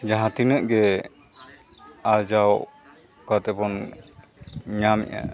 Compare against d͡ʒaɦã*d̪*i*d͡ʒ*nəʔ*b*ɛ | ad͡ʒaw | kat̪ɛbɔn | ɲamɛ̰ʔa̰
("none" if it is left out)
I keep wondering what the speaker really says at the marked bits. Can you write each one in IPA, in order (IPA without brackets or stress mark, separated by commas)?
t̪, none, ɡ